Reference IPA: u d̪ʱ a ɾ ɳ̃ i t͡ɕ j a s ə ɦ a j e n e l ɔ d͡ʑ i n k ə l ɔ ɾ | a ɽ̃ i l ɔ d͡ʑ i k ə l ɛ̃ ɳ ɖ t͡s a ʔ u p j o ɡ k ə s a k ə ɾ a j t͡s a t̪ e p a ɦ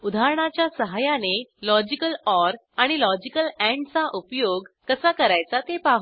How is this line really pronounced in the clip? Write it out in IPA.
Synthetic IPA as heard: u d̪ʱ a ɾ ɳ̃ a t͡ɕ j a s ə ɦ a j a n e l ɔ d͡ʑ i k ə l ɔ ɾ | a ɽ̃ i l ɔ d͡ʑ i k ə l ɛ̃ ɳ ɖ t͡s a ʔ u p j o ɡ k ə s a k ə ɾ a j t͡s a t̪ e p a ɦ